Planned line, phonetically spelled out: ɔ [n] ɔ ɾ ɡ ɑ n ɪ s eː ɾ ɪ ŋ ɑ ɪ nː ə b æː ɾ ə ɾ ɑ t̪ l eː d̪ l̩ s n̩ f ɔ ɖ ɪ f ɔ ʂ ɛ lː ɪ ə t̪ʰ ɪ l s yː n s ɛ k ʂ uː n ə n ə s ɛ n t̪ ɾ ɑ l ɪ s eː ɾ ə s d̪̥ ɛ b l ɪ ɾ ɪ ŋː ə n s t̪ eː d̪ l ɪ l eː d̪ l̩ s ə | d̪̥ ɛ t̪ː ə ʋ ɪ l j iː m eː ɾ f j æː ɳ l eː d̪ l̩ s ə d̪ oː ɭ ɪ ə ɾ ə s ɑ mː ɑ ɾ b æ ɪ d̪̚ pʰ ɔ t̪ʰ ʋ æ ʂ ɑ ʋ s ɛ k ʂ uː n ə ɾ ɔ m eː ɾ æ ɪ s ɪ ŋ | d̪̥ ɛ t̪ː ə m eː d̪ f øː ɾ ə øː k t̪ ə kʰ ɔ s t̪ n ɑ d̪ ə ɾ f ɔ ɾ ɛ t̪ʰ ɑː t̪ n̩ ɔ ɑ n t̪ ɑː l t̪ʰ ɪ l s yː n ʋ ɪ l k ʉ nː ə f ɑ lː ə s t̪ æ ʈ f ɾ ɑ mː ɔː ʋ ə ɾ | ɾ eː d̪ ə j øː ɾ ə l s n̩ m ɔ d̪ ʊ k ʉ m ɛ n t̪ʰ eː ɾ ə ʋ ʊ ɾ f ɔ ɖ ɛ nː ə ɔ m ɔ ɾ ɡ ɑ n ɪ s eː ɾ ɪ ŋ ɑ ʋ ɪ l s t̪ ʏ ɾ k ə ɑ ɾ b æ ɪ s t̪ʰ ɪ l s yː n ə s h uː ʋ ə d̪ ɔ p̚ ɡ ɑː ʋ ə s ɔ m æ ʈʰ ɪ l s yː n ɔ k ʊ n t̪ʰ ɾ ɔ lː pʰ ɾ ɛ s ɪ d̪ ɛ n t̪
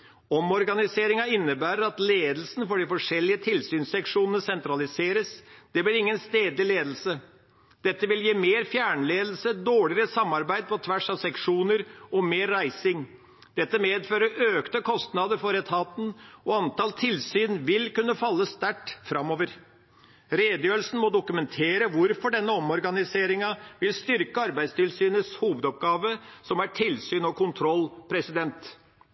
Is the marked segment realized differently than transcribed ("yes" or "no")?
yes